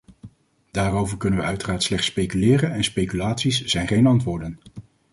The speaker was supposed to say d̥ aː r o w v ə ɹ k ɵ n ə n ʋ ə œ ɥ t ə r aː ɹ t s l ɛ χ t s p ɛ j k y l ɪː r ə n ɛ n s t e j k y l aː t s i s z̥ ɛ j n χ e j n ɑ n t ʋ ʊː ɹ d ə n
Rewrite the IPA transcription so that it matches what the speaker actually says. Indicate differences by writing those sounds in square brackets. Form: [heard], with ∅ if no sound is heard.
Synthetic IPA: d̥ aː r o w v ə ɹ k ɵ n ə n ʋ ə œ ɥ t ə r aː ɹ t s l ɛ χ t s p [e] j k y l ɪː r ə n ɛ n s [p] e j k y l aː t s i s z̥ ɛ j n χ e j n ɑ n t ʋ ʊː ɹ d ə n